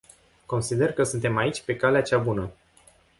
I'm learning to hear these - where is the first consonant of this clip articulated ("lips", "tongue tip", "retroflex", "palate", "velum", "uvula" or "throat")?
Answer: velum